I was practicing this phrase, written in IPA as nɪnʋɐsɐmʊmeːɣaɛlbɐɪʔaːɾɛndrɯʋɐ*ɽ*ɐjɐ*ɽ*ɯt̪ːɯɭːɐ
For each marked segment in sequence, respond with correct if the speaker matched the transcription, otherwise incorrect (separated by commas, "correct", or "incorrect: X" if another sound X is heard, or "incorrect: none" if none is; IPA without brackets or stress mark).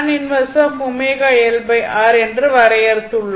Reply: incorrect: ɾ, incorrect: ɾ